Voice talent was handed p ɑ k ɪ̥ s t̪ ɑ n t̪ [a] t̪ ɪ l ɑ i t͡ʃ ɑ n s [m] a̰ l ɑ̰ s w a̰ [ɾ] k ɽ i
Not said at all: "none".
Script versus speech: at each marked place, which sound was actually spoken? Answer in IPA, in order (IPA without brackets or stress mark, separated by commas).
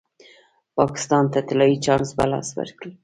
a, b, ɾ